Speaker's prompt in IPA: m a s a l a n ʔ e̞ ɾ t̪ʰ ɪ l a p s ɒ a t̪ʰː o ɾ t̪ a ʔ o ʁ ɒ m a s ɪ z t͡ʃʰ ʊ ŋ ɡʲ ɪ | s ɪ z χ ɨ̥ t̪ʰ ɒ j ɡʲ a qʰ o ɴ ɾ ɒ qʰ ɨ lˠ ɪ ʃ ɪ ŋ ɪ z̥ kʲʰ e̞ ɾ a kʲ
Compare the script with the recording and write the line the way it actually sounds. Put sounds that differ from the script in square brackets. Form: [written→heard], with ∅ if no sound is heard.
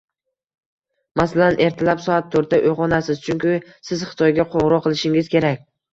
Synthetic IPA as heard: m a s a l a n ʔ e̞ ɾ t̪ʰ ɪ l a p s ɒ a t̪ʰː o ɾ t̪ a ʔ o ʁ ɒ [m→n] a s ɪ z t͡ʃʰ ʊ ŋ [ɡʲ→kʲ] ɪ | s ɪ z χ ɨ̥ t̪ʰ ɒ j ɡʲ a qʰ o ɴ ɾ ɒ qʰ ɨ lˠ ɪ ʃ ɪ ŋ ɪ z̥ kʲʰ e̞ ɾ a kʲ